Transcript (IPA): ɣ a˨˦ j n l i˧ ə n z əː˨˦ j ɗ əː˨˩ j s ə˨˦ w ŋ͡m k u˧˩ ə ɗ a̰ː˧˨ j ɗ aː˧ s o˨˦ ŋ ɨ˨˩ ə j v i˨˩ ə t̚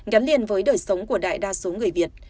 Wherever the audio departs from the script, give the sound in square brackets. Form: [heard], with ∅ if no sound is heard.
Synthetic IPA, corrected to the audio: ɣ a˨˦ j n l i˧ ə n [v] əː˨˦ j ɗ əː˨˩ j s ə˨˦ w ŋ͡m k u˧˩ ə ɗ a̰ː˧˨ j ɗ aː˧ s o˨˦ ŋ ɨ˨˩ ə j v i˨˩ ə t̚

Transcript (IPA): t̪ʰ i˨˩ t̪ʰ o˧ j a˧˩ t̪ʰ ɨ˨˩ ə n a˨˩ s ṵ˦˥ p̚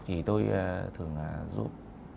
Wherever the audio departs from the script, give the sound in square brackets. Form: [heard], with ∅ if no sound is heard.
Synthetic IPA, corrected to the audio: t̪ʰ i˨˩ [t̪] o˧ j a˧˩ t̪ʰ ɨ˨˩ ə [ŋ] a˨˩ [z] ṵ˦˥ p̚

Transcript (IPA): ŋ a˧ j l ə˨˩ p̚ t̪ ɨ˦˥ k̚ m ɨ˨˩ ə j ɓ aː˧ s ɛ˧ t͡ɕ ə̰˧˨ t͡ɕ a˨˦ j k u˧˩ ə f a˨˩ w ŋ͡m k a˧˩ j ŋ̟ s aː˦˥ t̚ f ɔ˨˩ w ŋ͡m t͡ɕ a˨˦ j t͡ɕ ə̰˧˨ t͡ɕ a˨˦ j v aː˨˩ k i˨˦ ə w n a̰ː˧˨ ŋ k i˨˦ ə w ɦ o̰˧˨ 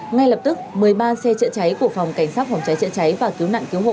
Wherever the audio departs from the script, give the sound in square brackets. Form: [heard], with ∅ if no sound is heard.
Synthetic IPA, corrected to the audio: ŋ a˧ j l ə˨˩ p̚ t̪ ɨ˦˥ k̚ m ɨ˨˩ ə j ɓ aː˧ s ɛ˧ t͡ɕ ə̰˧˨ t͡ɕ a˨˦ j k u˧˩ ə f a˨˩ w ŋ͡m k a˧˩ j ŋ̟ s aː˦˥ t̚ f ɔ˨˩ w ŋ͡m t͡ɕ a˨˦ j t͡ɕ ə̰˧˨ t͡ɕ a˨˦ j v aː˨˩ k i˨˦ ə w n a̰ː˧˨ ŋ k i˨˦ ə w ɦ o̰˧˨

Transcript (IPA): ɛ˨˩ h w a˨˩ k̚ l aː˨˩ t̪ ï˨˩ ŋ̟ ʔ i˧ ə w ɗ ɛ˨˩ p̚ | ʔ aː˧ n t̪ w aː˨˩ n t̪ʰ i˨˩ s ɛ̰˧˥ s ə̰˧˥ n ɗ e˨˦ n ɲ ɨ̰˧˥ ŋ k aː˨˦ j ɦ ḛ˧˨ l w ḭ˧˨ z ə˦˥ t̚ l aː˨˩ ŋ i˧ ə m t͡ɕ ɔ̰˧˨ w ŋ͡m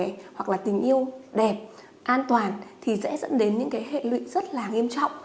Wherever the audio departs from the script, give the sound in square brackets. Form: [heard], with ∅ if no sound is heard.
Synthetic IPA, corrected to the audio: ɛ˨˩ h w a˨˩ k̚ l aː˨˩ t̪ ï˨˩ ŋ̟ ʔ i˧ ə w ɗ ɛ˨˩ p̚ | ʔ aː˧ n t̪ w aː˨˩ n t̪ʰ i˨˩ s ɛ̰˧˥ [z] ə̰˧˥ n ɗ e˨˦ n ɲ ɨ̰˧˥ ŋ k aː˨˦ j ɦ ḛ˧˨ l w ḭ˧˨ z ə˦˥ t̚ l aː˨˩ ŋ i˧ ə m t͡ɕ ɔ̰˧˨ w ŋ͡m

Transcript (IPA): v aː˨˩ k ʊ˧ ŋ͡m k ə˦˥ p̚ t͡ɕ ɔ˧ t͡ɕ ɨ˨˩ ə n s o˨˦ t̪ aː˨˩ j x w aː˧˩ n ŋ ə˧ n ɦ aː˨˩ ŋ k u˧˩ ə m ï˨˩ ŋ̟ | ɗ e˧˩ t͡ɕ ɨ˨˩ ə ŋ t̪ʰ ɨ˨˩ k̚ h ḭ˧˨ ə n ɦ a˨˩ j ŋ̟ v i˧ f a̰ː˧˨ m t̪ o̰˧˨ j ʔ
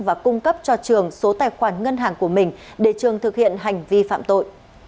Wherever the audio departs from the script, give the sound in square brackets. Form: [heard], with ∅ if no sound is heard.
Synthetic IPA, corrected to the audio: v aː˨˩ k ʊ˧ ŋ͡m k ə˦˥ p̚ t͡ɕ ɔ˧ t͡ɕ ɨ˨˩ ə [ŋ] s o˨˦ t̪ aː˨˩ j x w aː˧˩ n ŋ ə˧ n ɦ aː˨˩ ŋ k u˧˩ ə m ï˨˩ ŋ̟ | ɗ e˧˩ t͡ɕ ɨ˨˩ ə ŋ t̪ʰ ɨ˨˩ k̚ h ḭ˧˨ ə n ɦ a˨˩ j ŋ̟ v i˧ f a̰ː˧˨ m t̪ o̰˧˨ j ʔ

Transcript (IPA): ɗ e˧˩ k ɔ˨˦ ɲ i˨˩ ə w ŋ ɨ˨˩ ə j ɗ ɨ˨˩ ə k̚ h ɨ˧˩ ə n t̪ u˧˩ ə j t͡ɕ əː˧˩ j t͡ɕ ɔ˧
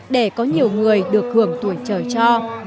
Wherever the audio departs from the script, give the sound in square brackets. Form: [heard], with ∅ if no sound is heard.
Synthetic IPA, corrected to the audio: ɗ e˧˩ k ɔ˨˦ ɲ i˨˩ ə w ŋ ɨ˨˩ ə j ɗ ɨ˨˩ ə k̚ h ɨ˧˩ ə [ŋ] t̪ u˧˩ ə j t͡ɕ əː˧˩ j t͡ɕ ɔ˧

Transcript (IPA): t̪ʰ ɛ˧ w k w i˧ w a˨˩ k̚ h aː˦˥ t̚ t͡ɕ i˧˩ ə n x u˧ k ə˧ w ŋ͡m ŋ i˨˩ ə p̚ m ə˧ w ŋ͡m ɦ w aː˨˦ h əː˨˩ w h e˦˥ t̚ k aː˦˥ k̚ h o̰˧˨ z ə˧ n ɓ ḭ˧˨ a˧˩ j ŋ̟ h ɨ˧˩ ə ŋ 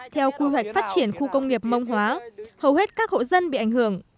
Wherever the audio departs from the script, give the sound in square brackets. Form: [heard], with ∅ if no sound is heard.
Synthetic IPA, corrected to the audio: t̪ʰ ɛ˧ w k w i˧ w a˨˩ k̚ [f] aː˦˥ t̚ t͡ɕ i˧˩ ə n x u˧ k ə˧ w ŋ͡m ŋ i˨˩ ə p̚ m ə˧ w ŋ͡m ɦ w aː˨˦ h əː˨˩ w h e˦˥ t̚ k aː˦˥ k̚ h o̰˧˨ z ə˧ n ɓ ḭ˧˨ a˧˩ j ŋ̟ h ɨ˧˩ ə ŋ

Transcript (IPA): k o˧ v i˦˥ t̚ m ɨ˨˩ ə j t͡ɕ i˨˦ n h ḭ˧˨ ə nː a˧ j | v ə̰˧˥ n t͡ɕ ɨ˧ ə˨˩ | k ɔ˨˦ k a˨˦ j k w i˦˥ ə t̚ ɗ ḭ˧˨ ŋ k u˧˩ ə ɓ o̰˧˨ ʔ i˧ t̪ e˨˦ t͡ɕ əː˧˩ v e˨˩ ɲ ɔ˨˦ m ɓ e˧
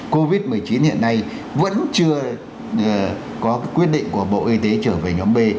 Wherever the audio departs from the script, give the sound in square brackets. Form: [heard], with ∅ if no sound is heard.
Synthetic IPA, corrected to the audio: k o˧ v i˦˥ t̚ m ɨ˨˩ ə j t͡ɕ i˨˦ n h ḭ˧˨ ə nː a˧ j | v ə̰˧˥ n t͡ɕ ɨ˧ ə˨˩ | k ɔ˨˦ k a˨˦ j k w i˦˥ ə t̚ ɗ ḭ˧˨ ŋ k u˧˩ ə ɓ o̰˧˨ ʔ i˧ t̪ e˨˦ t͡ɕ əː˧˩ v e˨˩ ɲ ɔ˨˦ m ɓ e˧

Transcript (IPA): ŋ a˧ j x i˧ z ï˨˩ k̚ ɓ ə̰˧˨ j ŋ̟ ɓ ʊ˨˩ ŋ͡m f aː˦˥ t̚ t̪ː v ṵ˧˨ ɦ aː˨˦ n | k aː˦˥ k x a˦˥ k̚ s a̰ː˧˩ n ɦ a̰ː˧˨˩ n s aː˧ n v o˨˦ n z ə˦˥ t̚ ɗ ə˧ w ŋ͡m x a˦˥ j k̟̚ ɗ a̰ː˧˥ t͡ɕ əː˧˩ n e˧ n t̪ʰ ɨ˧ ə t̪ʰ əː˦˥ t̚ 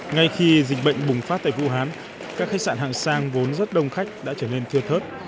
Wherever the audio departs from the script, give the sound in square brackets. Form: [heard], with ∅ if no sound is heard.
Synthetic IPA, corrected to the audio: ŋ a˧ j x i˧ z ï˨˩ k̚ ɓ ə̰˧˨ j ŋ̟ ɓ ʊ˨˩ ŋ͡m f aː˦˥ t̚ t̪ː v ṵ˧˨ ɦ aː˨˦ n | k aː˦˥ k x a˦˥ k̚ s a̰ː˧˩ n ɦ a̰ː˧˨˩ [ŋ] s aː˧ [ŋ] v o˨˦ n z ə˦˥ t̚ ɗ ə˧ w ŋ͡m x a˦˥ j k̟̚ ɗ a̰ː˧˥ t͡ɕ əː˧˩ n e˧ n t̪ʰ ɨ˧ ə t̪ʰ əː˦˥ t̚

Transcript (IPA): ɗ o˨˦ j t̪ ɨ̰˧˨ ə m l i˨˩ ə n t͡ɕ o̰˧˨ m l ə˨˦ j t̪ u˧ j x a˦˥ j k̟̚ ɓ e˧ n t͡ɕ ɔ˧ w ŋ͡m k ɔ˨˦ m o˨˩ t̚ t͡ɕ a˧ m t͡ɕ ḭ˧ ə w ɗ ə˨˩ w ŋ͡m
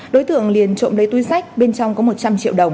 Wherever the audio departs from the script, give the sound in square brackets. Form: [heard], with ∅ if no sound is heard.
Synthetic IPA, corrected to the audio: ɗ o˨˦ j t̪ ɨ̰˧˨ ə [ŋ] l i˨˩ ə n t͡ɕ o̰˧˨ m l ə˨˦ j t̪ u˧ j [s] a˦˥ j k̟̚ ɓ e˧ n t͡ɕ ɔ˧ w ŋ͡m k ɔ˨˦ m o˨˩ t̚ t͡ɕ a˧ m t͡ɕ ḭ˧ ə w ɗ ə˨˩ w ŋ͡m

